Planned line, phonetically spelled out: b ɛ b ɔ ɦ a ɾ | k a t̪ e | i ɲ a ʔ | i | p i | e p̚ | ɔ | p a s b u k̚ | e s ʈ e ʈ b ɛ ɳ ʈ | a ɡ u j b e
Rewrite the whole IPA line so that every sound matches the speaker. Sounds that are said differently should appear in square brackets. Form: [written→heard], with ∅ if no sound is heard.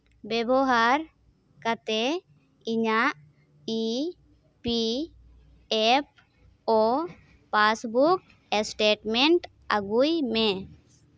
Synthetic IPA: b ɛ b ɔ ɦ a ɾ | k a t̪ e | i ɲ a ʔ | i | p i | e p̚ | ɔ | p a s b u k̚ | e s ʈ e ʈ [b→m] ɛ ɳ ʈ | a ɡ u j [b→m] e

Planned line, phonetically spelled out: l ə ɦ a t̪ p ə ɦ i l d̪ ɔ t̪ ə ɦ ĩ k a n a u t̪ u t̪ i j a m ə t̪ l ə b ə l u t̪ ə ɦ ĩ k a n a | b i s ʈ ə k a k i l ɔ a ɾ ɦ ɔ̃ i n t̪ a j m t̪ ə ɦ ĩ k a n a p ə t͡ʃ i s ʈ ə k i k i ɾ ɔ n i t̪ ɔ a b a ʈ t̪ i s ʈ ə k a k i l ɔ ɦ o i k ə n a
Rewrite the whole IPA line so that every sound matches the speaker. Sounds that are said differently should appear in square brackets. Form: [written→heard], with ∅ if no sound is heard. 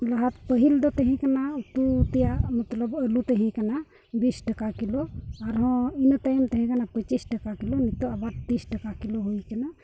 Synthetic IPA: l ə ɦ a t̪ p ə ɦ i l d̪ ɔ t̪ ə ɦ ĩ k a n a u t̪ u t̪ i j a m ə t̪ l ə b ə l u t̪ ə ɦ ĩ k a n a | b i s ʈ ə k a k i l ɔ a ɾ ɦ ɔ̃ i n t̪ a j m t̪ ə ɦ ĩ k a n a p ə t͡ʃ i s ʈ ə k [i→a] k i [ɾ→l] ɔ n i t̪ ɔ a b a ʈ t̪ i s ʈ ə k a k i l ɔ ɦ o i k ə n a

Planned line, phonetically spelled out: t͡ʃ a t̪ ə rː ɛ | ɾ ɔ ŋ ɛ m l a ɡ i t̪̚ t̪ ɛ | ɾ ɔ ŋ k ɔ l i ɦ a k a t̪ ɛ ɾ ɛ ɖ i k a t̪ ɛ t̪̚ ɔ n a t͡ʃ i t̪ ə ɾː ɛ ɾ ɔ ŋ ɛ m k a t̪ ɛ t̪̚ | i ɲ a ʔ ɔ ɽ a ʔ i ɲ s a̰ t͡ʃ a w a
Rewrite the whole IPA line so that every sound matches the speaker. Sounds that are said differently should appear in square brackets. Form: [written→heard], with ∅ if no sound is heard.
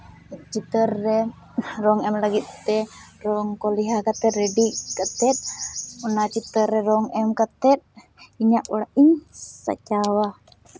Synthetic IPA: t͡ʃ [a→i] t̪ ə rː ɛ | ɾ ɔ ŋ ɛ m l a ɡ i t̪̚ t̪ ɛ | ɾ ɔ ŋ k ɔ l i ɦ a k a t̪ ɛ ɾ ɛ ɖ i k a t̪ ɛ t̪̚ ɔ n a t͡ʃ i t̪ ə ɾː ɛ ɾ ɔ ŋ ɛ m k a t̪ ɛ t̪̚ | i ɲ a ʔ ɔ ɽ a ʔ i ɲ s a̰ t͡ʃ a w a

